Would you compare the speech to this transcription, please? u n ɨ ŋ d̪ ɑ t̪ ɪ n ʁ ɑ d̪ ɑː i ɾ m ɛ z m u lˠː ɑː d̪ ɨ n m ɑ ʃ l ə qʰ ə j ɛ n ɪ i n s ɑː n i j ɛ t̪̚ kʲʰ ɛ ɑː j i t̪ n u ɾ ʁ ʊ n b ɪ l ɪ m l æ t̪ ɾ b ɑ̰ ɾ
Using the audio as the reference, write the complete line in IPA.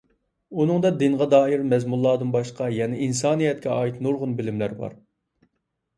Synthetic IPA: u n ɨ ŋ d̪ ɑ d̪ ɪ n ʁ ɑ d̪ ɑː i ɾ m ɛ z m u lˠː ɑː d̪ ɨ n b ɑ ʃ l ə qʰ ɑ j ɛ n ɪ i n s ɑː n i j ɛ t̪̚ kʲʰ ɛ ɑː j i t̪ n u ɾ ʁ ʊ n b ɪ l ɪ m l æ ɾ b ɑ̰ ɾ

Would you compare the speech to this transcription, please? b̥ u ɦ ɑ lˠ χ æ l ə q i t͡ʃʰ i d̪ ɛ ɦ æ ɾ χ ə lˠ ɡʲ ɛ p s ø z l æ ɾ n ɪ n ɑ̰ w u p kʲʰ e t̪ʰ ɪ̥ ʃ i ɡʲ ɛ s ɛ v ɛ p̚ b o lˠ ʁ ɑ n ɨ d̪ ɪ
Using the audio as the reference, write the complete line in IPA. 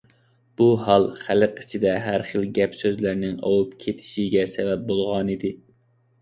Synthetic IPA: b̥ u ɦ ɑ lˠ χ æ l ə q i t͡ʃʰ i d̪ ɛ ɦ æ ɾ χ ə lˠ ɡʲ ɛ p s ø z l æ ɾ n ɪ ŋ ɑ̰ w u p kʲʰ e t̪ʰ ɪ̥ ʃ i ɡʲ ɛ s ɛ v ɛ p̚ b o lˠ ʁ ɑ n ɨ d̪ ɪ

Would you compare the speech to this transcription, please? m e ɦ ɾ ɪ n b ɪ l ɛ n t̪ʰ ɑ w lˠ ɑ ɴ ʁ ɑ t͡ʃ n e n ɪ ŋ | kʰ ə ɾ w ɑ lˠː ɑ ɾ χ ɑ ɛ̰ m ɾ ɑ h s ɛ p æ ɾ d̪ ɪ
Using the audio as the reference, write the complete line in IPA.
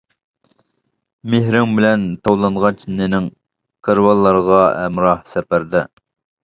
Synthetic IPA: m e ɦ ɾ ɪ ŋ b ɪ l ɛ n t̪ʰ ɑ w lˠ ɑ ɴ ʁ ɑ t͡ʃ n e n ɪ ŋ | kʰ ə ɾ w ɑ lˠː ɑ ɾ ʁ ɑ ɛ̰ m ɾ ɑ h s ɛ p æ ɾ d̪ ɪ

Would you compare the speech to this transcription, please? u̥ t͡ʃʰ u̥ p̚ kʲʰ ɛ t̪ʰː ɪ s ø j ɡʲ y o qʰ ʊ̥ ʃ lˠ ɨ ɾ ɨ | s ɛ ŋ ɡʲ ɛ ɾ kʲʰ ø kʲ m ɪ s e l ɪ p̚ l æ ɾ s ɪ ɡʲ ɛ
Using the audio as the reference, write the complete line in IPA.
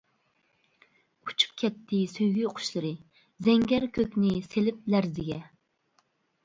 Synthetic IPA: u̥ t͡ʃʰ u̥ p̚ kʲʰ ɛ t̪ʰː ɪ s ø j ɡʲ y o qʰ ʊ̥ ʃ lˠ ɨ ɾ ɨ | z ɛ ŋ ɡʲ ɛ ɾ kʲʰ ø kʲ n ɪ s e l ɪ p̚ l æ ɾ z ɪ ɡʲ ɛ

